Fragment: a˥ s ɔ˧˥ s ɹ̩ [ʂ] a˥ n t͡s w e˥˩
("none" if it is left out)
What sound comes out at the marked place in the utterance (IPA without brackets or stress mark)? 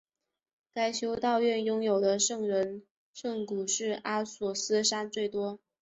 ʂ